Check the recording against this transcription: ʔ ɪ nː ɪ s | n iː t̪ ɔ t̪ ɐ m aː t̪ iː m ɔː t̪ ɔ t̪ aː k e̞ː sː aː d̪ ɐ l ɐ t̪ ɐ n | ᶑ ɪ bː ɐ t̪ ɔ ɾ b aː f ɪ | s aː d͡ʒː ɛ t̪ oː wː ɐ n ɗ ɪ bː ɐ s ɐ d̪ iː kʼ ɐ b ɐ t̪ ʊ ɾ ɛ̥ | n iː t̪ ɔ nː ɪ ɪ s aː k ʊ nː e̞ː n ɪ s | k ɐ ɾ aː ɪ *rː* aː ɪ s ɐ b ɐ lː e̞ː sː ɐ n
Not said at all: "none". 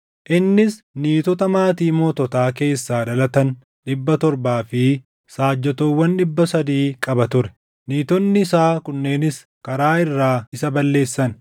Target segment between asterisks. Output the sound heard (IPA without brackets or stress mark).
rː